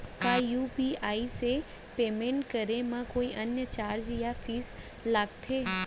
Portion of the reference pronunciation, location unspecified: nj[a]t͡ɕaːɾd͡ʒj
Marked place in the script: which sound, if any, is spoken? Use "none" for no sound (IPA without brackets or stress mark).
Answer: ə